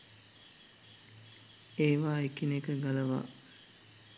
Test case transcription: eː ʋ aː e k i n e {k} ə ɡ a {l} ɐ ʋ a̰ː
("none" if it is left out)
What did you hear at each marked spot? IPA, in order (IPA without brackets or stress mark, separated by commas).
k, l